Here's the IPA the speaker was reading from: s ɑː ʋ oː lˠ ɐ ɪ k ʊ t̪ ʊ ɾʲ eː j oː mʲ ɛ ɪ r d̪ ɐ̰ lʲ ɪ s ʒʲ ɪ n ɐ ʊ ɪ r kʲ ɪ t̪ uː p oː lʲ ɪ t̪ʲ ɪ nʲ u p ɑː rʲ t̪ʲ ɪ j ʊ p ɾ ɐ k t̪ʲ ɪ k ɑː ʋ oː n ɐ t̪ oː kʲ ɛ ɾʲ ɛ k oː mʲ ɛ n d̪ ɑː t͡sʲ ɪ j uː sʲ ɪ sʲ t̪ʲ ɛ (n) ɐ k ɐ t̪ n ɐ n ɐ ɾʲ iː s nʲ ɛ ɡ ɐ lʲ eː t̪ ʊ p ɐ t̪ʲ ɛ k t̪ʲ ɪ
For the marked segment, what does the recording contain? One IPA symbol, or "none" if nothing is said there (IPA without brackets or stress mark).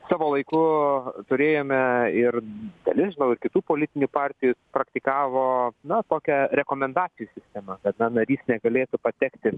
m